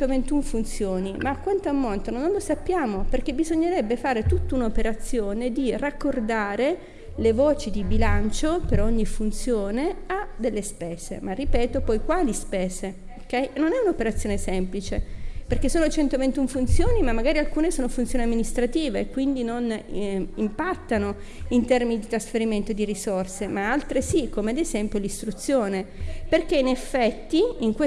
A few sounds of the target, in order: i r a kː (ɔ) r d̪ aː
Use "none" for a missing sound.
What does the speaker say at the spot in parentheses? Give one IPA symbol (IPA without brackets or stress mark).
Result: o